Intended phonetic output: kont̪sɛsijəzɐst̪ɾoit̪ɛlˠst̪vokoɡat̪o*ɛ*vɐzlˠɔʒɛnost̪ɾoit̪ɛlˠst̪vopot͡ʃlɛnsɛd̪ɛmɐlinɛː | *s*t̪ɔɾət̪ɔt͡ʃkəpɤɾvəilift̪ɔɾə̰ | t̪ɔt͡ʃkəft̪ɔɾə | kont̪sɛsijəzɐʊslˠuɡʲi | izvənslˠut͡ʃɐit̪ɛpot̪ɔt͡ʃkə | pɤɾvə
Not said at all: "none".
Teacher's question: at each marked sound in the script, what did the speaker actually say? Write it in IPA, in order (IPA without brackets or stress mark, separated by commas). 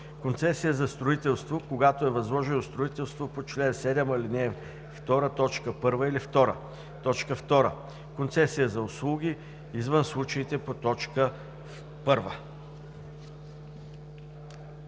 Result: ɛ, f